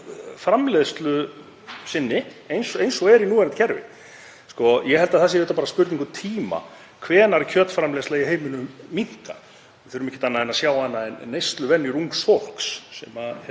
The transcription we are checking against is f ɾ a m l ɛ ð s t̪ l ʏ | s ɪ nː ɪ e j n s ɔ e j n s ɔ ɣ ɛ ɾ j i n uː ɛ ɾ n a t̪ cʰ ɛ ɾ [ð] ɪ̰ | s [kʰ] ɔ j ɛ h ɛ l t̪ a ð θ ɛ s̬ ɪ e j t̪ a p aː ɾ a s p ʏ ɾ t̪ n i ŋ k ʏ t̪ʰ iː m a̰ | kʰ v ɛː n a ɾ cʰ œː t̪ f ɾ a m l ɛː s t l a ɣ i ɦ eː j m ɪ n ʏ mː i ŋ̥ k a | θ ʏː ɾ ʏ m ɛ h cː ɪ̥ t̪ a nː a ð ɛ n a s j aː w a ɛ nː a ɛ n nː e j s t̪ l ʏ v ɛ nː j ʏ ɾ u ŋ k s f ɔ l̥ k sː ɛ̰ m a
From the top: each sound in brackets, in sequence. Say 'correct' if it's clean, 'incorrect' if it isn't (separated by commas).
incorrect, incorrect